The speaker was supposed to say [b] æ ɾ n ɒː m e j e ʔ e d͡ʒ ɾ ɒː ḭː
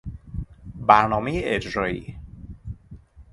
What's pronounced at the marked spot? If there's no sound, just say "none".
b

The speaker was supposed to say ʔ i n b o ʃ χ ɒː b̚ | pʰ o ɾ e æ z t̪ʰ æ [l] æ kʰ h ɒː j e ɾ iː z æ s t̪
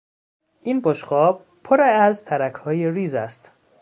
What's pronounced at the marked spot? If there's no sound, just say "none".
ɾ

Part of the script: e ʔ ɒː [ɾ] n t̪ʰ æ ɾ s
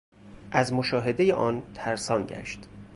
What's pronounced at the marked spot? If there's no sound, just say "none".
none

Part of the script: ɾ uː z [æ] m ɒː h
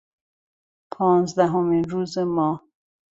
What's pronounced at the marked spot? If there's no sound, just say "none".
e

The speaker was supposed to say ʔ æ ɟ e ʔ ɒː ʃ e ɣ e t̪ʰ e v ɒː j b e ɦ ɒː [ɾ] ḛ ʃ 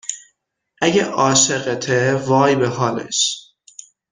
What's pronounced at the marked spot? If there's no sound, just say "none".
l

